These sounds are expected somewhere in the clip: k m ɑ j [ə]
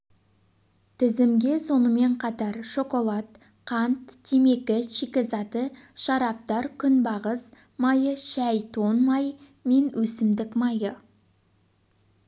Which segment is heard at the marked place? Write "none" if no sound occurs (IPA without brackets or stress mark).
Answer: ə